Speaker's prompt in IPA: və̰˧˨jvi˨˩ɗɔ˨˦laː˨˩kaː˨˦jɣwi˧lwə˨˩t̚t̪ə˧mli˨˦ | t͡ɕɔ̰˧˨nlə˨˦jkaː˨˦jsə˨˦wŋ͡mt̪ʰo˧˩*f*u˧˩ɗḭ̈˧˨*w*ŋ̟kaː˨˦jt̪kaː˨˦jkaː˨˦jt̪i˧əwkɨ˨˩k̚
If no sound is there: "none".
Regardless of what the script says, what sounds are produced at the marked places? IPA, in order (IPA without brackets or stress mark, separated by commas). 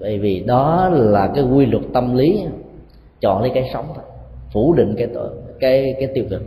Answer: f, none